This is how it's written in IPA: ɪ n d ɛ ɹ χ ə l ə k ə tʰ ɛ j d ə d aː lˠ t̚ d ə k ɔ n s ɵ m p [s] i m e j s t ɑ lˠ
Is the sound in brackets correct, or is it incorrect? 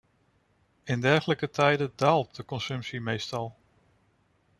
correct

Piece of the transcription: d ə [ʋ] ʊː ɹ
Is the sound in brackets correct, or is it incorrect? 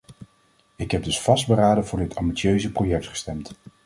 incorrect: v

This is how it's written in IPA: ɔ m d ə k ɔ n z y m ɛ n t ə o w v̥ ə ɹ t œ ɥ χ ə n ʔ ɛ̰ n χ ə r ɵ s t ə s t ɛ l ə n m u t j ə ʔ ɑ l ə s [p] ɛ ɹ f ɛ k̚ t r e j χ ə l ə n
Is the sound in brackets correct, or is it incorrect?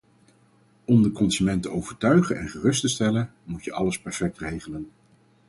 correct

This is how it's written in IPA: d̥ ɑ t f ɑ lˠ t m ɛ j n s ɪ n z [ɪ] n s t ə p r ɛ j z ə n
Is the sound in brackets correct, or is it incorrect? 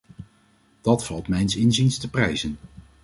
incorrect: i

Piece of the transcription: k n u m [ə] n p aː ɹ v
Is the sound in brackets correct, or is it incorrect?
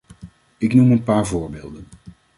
correct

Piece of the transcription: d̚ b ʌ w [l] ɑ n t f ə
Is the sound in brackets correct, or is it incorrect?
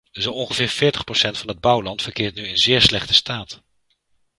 correct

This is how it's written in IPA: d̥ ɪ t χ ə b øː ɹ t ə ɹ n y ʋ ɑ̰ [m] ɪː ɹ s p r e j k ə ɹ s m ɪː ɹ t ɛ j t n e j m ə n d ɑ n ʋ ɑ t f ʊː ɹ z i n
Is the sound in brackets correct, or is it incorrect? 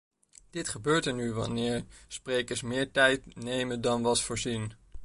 incorrect: n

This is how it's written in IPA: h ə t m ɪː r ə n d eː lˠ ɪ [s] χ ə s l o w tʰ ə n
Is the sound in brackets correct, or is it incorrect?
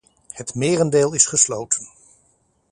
correct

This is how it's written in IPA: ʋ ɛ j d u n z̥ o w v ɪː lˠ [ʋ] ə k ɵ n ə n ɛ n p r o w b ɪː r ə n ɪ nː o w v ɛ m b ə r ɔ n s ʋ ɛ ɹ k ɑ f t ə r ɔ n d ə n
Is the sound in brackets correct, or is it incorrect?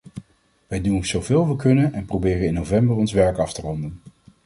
correct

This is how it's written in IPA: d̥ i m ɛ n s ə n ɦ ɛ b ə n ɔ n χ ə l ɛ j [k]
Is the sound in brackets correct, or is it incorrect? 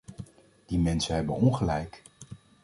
correct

